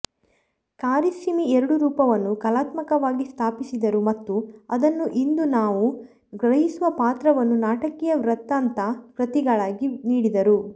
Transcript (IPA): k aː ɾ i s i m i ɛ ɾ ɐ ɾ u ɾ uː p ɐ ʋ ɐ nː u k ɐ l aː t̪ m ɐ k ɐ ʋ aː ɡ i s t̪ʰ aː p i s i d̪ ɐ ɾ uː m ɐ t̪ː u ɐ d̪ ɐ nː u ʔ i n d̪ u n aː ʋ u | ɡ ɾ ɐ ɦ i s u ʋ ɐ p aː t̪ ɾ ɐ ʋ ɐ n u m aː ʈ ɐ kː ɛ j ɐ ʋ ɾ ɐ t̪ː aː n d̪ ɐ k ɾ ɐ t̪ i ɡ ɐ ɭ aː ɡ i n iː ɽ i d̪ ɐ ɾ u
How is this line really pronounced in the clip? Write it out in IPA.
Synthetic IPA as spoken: k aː ɾ i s i m i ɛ ɾ ɐ ɽ u ɾ uː p ɐ ʋ ɐ nː u k ɐ l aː t̪ m ɐ k ɐ ʋ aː ɡ i s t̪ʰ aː p i s i d̪ ɐ ɾ u m ɐ t̪ː u ɐ d̪ ɐ nː u ʔ i n d̪ u n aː ʋ u | ɡ ɾ ɐ ɦ i s u ʋ ɐ p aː t̪ ɾ ɐ ʋ ɐ nː u n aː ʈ ɐ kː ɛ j ɐ ʋ ɾ ɐ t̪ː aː n t̪ ɐ k ɾ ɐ t̪ i ɡ ɐ ɭ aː ɡ i n iː ɽ i d̪ ɐ ɾ u